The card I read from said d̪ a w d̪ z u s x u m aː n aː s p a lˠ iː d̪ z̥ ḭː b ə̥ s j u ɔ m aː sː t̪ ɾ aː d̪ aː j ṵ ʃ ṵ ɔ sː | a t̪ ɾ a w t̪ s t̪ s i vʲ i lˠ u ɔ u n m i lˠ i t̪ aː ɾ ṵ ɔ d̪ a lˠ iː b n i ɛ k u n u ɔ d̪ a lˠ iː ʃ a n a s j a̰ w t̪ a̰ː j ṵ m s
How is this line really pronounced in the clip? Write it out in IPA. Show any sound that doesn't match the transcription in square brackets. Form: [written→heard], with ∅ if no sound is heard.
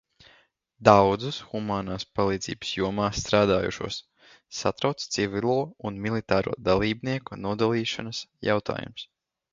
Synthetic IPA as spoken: d̪ a w d̪ z u s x u m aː n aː s p a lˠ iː d̪ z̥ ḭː b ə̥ s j u ɔ m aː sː t̪ ɾ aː d̪ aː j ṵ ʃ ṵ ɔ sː | a t̪ ɾ a w t̪ s t̪ s i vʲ i lˠ u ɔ u n m i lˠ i t̪ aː ɾ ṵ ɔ d̪ a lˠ iː b n i ɛ k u n u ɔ d̪ a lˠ iː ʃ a n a s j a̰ w t̪ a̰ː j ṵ m s